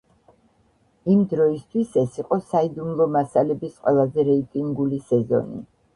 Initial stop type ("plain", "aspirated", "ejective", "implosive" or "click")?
plain